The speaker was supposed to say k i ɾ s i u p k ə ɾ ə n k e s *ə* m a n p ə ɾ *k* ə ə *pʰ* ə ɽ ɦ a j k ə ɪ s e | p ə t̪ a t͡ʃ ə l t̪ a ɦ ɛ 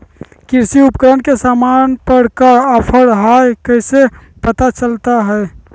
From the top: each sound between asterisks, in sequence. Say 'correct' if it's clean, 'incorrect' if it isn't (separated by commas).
incorrect, correct, correct